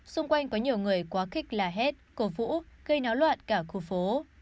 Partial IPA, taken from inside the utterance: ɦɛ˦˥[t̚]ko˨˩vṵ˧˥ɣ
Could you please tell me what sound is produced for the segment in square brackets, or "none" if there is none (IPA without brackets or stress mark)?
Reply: t̚